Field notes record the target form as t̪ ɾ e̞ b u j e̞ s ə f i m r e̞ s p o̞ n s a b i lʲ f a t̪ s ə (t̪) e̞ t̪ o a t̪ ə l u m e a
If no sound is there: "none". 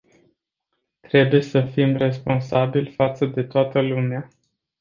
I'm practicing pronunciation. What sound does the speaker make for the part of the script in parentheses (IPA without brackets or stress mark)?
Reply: d̪